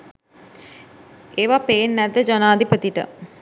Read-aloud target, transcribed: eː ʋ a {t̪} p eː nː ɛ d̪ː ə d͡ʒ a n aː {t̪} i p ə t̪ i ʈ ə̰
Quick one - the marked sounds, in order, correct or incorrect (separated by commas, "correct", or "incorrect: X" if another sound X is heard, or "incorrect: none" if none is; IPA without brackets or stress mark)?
incorrect: none, incorrect: d̪